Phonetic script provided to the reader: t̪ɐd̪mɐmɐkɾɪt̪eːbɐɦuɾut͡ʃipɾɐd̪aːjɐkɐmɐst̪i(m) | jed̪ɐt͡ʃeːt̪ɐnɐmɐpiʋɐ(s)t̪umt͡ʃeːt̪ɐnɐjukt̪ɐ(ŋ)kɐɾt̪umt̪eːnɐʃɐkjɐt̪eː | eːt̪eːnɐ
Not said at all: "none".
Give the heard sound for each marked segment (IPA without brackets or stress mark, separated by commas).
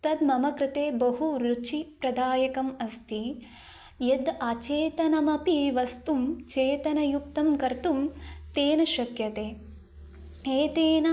none, s, m